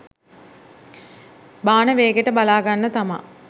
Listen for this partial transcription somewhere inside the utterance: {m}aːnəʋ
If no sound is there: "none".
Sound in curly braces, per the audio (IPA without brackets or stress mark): b